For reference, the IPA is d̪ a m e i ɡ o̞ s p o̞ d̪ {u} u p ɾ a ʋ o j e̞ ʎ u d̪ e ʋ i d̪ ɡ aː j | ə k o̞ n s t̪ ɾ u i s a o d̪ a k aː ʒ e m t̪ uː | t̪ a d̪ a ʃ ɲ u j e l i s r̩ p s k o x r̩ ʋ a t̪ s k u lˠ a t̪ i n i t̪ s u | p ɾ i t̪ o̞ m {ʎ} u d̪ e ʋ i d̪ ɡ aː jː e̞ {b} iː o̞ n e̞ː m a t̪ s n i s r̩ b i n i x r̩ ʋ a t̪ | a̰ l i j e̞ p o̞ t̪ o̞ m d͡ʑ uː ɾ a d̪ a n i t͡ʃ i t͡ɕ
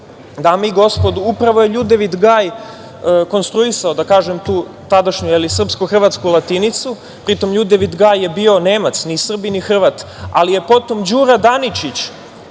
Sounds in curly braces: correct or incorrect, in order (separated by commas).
correct, correct, correct